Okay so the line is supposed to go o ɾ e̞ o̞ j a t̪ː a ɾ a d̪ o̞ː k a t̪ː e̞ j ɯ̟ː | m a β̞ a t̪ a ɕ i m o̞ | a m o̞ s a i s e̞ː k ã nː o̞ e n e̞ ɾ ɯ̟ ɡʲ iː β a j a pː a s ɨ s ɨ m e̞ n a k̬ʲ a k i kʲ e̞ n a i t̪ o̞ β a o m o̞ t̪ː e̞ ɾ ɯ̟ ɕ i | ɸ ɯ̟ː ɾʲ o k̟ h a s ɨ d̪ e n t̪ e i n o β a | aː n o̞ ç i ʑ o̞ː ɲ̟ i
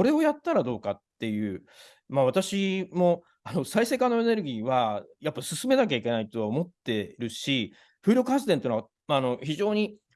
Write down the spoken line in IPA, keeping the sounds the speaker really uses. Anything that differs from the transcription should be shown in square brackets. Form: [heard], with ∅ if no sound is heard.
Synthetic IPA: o ɾ e̞ o̞ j a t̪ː a ɾ a d̪ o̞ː k a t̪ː e̞ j ɯ̟ː | m a β̞ a t̪ a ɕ i m o̞ | a [n] o̞ s a i s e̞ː k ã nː o̞ e n e̞ ɾ ɯ̟ ɡʲ iː β a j a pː a s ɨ s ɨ m e̞ n a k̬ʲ a [∅] i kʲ e̞ n a i t̪ o̞ β a o m o̞ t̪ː e̞ ɾ ɯ̟ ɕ i | ɸ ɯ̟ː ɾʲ o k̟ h a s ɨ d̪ e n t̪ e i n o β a | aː n o̞ ç i ʑ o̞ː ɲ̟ i